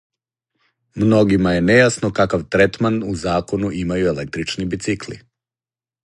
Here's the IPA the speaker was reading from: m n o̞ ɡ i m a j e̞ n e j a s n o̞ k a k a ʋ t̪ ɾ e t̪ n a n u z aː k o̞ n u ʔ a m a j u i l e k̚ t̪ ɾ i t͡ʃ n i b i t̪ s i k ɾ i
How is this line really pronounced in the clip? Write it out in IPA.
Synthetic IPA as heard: m n o̞ ɡ i m a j e̞ n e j a s n o̞ k a k a ʋ t̪ ɾ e t̪ m a n u z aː k o̞ n u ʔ i m a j u e l e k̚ t̪ ɾ i t͡ʃ n i b i t̪ s i k l i